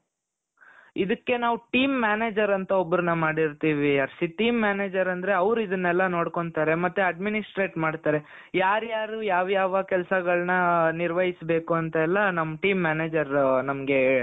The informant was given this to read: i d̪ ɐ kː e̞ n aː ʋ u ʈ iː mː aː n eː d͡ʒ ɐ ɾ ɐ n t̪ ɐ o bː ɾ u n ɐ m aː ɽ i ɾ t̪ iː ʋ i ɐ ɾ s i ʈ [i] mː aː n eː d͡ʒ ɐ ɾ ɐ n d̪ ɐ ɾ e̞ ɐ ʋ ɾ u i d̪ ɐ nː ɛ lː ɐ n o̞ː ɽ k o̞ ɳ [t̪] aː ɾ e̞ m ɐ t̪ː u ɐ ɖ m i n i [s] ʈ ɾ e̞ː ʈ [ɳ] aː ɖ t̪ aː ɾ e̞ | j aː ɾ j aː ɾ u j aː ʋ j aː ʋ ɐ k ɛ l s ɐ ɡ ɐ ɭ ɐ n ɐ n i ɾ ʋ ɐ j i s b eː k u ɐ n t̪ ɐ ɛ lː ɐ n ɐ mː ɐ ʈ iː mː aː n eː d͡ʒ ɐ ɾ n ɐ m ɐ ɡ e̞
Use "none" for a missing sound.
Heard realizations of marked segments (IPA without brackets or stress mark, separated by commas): iː, t̪, s, m